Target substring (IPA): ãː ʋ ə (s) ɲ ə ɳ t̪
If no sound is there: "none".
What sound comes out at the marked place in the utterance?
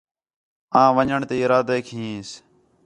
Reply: none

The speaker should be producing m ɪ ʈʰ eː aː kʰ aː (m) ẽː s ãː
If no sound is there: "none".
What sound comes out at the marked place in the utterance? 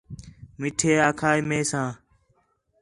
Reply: m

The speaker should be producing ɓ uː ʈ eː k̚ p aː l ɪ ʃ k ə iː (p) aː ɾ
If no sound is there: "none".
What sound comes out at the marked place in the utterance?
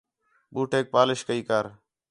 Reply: k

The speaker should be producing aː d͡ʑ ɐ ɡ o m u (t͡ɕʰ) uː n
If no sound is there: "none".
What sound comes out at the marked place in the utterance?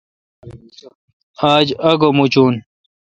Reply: t͡ɕ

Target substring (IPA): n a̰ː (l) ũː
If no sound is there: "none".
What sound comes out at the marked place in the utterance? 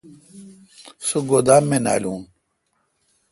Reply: l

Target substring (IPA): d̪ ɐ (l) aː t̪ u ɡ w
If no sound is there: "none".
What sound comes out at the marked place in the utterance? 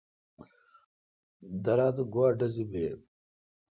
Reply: ɾ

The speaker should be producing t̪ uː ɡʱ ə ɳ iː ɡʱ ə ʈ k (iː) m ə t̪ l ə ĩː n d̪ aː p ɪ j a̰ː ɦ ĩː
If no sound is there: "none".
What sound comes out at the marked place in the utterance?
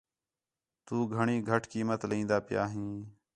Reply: iː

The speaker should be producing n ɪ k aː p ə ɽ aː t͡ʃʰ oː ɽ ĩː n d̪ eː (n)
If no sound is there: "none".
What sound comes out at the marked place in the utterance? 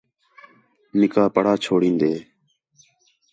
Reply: none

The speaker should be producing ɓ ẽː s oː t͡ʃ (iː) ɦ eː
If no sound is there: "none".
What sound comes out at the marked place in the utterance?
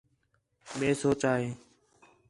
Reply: aː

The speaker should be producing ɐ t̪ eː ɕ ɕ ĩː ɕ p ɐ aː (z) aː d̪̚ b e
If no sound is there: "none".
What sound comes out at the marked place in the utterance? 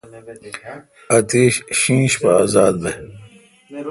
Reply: z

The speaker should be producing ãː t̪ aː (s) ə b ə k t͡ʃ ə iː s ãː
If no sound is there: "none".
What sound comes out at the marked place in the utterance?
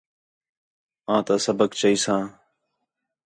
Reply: s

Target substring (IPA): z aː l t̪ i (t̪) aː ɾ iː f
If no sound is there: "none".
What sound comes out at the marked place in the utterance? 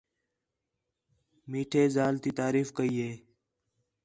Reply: t̪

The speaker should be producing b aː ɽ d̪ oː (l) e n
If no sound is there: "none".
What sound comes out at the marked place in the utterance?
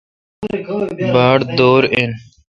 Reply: ɾ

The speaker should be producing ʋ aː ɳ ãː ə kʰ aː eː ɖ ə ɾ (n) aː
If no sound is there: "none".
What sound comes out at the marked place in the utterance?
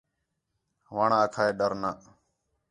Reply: n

